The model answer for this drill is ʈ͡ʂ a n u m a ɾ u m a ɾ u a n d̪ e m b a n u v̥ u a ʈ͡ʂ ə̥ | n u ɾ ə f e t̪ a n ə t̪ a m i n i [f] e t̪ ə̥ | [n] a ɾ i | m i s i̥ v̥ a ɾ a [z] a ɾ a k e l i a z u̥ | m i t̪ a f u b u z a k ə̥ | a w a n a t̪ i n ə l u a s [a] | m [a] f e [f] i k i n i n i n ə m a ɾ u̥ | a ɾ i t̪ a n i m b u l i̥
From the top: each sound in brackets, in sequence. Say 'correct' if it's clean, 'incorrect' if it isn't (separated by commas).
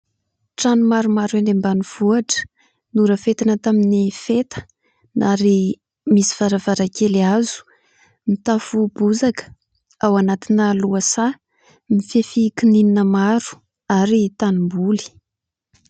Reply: correct, correct, incorrect, correct, incorrect, correct